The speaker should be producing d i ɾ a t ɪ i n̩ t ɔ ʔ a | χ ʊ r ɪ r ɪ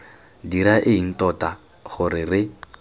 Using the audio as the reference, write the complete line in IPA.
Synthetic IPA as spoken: d i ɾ a ʔ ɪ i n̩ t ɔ t a | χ ʊ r ɪ r ɪ